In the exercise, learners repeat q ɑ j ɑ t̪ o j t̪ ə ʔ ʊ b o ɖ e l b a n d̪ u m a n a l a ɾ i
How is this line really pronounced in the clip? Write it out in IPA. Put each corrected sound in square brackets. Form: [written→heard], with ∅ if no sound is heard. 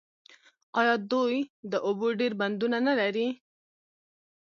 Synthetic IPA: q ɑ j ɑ [t̪→d̪] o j [t̪→d̪] ə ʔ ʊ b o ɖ e [l→ɾ] b a n d̪ u [m→n] a n a l a ɾ i